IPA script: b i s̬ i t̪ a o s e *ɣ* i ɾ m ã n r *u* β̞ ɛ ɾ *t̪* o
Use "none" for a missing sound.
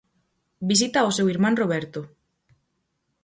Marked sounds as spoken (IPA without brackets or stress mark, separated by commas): w, o, t̪